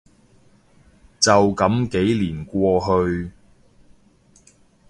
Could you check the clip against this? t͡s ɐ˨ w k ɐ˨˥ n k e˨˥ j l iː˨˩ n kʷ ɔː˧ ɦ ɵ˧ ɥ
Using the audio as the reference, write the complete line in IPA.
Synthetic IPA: t͡s ɐ˨ w k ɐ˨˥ m k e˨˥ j l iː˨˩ n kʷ ɔː˧ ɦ ɵ˧ ɥ